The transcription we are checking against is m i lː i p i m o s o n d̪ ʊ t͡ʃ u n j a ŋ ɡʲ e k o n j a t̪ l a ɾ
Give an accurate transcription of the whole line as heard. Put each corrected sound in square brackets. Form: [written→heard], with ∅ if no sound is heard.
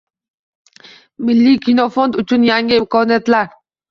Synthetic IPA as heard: m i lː i [p→k] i [m→n] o [s→f] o n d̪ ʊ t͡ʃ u n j a ŋ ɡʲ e k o n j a t̪ l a ɾ